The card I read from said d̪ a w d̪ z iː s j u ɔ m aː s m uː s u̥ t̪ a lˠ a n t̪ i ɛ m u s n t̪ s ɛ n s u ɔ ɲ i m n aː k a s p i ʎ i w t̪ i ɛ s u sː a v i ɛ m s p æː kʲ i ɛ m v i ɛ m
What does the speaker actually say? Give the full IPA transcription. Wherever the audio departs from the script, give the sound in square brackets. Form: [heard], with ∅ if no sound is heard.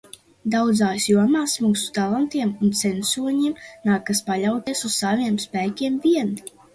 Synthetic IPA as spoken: d̪ a w d̪ z [aː] s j u ɔ m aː s m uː s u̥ t̪ a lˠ a n t̪ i ɛ m u [∅] n t̪ s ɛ n s u ɔ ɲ i m n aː k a s p [a] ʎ [a] w t̪ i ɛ s u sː a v i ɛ m s p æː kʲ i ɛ m v i ɛ [n]